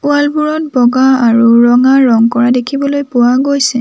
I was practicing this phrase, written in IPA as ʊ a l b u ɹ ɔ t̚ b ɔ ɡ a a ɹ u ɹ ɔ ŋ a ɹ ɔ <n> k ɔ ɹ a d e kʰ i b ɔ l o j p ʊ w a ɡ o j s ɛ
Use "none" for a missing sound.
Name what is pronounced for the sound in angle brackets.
ŋ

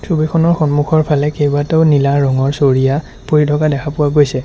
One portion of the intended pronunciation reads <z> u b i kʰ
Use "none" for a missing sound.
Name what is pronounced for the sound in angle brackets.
s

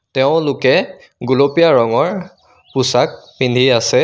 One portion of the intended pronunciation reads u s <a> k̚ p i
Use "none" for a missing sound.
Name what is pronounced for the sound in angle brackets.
a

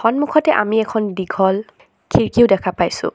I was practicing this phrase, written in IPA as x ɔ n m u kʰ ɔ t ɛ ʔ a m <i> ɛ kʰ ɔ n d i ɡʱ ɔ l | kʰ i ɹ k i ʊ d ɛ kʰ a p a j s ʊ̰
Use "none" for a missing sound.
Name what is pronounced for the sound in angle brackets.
i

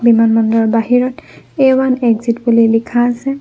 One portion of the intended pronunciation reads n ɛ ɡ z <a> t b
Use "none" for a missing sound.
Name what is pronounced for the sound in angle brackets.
i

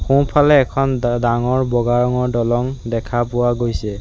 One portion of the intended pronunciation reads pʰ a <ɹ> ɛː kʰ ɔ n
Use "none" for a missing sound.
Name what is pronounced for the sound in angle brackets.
l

